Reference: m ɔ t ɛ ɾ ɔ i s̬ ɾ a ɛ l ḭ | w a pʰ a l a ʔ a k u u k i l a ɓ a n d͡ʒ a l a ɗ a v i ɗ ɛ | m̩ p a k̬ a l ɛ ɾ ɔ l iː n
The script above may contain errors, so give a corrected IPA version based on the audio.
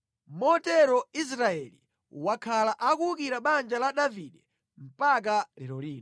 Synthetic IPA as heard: m ɔ t ɛ ɾ ɔ i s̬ ɾ a ɛ l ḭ | w a kʰ a l a ʔ a k u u k i ɾ a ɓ a n d͡ʒ a l a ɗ a v i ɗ ɛ | m̩ p a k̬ a l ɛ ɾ ɔ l iː n